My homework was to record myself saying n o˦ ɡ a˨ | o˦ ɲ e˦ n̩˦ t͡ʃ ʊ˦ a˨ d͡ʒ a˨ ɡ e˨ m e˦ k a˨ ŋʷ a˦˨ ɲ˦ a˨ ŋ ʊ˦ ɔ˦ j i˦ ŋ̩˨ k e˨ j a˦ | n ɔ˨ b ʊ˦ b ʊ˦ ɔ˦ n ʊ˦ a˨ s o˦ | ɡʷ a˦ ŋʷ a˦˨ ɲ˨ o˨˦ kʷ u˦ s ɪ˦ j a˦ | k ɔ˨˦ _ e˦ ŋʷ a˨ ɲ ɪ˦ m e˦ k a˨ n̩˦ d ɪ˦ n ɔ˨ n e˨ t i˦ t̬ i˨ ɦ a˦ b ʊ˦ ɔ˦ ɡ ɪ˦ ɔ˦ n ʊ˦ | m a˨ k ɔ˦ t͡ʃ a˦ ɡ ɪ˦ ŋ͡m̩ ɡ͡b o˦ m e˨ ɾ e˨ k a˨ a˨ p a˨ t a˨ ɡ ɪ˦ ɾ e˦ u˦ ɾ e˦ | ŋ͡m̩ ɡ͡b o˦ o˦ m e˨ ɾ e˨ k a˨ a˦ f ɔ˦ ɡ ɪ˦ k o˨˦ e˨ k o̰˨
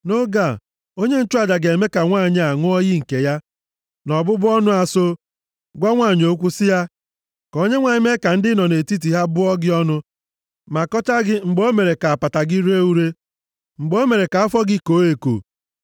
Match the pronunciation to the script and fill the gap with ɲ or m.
ɲ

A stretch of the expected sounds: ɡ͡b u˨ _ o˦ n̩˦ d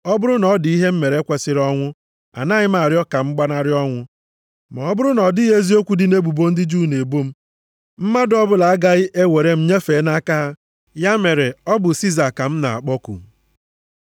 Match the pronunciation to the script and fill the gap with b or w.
b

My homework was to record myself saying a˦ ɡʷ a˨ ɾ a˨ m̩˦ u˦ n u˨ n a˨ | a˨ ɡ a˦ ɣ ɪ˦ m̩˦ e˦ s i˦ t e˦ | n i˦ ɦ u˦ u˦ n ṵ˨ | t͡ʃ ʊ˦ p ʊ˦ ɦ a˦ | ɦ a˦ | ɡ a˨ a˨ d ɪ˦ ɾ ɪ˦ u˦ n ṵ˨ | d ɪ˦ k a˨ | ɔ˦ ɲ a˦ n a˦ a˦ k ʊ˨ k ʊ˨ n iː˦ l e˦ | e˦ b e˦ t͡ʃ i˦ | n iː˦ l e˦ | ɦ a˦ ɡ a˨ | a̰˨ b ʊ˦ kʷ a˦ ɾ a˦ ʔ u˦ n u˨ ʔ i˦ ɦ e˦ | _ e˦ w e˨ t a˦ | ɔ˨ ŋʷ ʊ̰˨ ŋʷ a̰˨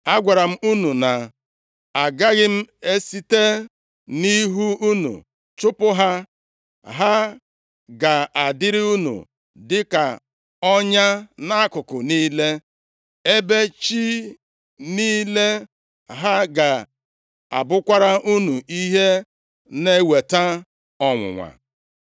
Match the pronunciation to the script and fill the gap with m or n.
n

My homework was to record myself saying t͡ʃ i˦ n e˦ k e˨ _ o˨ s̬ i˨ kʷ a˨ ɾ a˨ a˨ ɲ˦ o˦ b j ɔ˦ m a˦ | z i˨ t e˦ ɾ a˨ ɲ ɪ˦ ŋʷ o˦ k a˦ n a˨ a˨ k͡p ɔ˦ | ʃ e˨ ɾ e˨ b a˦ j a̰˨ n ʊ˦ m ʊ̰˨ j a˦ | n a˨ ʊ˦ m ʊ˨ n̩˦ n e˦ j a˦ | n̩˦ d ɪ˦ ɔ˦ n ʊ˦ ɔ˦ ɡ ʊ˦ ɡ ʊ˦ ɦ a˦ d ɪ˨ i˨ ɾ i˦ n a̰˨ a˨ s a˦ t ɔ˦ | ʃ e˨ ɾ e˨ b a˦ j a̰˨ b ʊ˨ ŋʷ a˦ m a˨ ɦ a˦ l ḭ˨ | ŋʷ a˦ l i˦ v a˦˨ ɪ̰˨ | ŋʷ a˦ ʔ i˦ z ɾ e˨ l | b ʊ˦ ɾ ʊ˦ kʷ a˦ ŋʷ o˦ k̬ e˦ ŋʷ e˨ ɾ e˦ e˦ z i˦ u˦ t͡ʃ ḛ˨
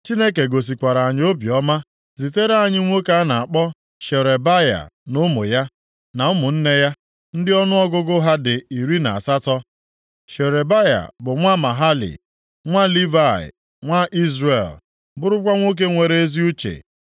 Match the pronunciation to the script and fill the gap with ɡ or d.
ɡ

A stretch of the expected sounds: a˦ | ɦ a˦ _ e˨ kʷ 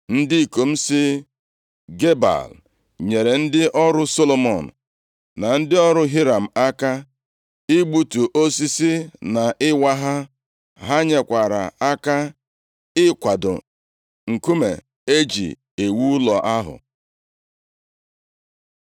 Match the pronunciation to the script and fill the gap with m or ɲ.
ɲ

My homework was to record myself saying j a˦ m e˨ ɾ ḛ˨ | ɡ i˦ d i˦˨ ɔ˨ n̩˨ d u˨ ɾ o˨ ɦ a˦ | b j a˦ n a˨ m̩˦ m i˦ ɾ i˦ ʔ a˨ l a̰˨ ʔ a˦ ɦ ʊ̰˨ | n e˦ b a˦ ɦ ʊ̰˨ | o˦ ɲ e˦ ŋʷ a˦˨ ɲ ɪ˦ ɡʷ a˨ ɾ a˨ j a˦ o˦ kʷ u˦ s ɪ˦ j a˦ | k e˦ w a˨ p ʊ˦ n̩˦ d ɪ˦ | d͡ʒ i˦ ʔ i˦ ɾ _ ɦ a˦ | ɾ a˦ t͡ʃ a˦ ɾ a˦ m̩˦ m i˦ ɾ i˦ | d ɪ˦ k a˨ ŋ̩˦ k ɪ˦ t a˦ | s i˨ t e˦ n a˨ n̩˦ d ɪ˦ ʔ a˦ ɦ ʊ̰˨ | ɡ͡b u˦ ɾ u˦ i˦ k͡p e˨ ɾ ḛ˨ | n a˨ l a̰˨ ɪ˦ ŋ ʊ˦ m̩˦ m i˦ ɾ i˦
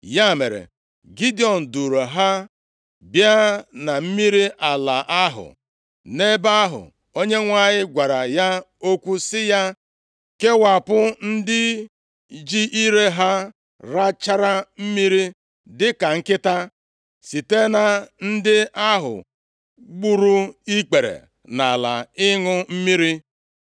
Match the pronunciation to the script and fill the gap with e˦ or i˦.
e˦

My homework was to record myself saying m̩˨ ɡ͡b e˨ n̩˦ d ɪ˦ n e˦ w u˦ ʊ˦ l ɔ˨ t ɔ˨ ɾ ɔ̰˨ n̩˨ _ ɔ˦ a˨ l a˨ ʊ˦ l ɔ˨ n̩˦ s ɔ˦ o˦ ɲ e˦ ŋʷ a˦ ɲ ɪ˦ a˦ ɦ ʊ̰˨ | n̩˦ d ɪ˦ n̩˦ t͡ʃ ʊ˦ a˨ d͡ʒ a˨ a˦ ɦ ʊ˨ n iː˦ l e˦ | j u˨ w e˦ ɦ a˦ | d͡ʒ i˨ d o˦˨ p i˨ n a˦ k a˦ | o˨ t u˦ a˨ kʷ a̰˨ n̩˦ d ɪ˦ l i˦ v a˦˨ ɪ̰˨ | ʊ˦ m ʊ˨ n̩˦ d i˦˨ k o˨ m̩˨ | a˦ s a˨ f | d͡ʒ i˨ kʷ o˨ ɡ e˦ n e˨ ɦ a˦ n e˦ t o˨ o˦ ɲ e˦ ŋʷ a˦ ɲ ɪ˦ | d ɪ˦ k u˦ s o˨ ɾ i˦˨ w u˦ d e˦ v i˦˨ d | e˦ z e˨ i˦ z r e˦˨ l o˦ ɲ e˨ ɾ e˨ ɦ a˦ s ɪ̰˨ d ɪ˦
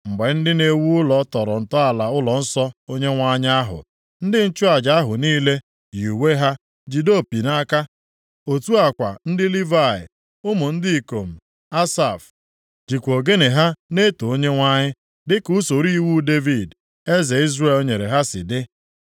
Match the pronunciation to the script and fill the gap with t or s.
t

